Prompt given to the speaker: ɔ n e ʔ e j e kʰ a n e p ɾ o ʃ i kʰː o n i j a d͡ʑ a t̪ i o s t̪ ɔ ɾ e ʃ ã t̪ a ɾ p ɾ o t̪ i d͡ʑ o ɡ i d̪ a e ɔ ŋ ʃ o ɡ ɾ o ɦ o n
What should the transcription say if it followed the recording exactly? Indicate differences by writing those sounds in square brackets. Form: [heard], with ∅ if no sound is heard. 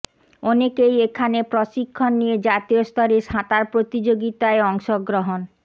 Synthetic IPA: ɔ n e [k] e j e kʰ a n e p ɾ o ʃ i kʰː o [nː] i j [e] d͡ʑ a t̪ i o s t̪ ɔ ɾ e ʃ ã t̪ a ɾ p ɾ o t̪ i d͡ʑ o ɡ i [t̪] a e ɔ ŋ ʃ o ɡ ɾ o ɦ o n

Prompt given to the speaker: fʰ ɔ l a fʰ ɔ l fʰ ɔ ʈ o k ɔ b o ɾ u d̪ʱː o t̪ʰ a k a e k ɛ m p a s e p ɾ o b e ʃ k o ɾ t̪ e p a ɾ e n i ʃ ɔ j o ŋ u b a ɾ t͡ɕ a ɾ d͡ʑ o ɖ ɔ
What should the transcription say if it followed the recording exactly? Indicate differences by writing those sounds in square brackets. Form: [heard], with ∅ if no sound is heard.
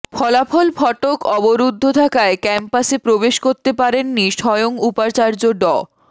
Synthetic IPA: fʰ ɔ l a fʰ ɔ l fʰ ɔ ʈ o k ɔ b o ɾ u d̪ʱː o t̪ʰ a k a e k ɛ m p a s e p ɾ o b e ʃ k o ɾ t̪ e p a ɾ e [nː] i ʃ ɔ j o ŋ u [p] a ɾ t͡ɕ a ɾ d͡ʑ o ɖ ɔ

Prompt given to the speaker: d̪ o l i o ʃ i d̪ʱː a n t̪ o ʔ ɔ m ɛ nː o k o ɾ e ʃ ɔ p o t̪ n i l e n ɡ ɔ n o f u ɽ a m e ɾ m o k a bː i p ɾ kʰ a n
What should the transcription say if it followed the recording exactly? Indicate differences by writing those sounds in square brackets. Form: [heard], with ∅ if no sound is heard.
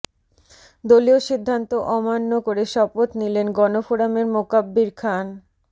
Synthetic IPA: d̪ o l i o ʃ i d̪ʱː a n t̪ o ʔ ɔ m [a] nː o k o ɾ e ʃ ɔ p o t̪ n i l e n ɡ ɔ n o f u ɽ a m e ɾ m o k a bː i [∅] ɾ kʰ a n

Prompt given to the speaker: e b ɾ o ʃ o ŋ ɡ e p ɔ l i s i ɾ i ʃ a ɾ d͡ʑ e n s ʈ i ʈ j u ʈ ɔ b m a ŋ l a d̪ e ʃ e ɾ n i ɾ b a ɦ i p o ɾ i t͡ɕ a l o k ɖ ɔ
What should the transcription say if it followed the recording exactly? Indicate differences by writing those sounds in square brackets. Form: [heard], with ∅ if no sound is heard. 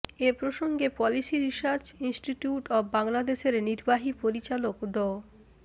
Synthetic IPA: e [p] ɾ o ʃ o ŋ ɡ e p ɔ l i s i ɾ i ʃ a ɾ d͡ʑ [i] n s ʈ i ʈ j u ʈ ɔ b [b] a ŋ l a d̪ e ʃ e ɾ n i ɾ b a ɦ i p o ɾ i t͡ɕ a l o k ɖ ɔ

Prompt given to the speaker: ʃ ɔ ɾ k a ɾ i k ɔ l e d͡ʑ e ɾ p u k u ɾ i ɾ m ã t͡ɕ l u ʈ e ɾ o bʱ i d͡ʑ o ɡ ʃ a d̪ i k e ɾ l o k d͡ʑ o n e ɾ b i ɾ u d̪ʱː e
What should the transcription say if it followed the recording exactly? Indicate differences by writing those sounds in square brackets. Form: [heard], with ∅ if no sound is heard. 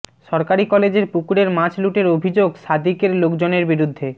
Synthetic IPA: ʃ ɔ ɾ k a ɾ i k ɔ l e d͡ʑ e ɾ p u k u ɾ [e] ɾ m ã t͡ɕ l u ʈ e ɾ o bʱ i d͡ʑ o ɡ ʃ a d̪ i k e ɾ l o k d͡ʑ o n e ɾ b i ɾ u d̪ʱː e

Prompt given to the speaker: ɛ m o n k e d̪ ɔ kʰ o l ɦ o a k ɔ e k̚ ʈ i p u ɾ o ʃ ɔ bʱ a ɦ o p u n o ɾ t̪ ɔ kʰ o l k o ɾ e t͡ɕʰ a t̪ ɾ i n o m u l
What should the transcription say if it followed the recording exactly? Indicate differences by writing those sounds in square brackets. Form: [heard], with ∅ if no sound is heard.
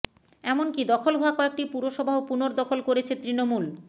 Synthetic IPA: ɛ m o n k [i] d̪ ɔ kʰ o l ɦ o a k ɔ e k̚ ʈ i p u ɾ o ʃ ɔ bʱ a ɦ o p u n o ɾ [d̪] ɔ kʰ o l k o ɾ e t͡ɕʰ [e] t̪ ɾ i n o m u l

